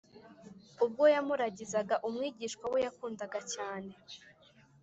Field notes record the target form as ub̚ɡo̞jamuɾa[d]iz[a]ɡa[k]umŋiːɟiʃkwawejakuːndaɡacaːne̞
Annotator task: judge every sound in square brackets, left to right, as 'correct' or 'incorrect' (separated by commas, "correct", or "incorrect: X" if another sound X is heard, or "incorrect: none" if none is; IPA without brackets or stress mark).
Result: incorrect: ɟ, correct, incorrect: ʔ